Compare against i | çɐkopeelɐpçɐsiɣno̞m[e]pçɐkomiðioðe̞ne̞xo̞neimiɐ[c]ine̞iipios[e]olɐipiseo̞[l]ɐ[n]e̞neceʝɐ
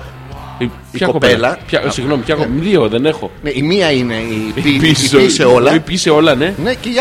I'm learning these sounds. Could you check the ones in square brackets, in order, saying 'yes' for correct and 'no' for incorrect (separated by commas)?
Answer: no, no, yes, yes, yes